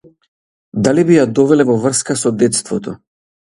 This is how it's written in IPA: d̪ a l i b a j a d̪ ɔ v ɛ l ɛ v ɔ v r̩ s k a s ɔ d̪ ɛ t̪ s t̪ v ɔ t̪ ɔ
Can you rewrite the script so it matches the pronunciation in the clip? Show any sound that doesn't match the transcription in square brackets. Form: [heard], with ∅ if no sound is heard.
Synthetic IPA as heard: d̪ a l i b [i] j a d̪ ɔ v ɛ l ɛ v ɔ v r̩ s k a s ɔ d̪ ɛ t̪ s t̪ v ɔ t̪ ɔ